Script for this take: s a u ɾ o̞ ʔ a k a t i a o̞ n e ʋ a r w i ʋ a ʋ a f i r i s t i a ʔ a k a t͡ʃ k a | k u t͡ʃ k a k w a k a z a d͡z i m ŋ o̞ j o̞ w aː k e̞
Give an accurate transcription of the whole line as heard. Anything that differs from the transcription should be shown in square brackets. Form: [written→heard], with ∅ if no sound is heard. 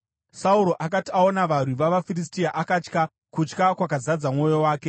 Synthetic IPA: s a u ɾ o̞ ʔ a k a t i a o̞ n [e→a] ʋ a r w i ʋ a ʋ a f i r i s t i a ʔ a k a t͡ʃ k a | k u t͡ʃ k a k w a k a z a d͡z [i→a] m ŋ o̞ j o̞ w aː k e̞